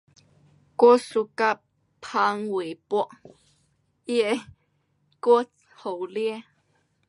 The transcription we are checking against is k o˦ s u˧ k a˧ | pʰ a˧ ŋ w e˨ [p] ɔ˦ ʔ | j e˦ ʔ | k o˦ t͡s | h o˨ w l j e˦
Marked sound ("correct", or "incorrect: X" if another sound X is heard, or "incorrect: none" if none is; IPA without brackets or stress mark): correct